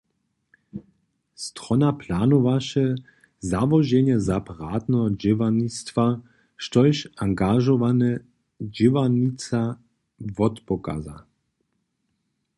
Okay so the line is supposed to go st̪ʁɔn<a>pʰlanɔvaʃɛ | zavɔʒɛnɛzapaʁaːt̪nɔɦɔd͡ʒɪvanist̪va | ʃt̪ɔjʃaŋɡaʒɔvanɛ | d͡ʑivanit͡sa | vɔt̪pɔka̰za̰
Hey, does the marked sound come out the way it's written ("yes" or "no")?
yes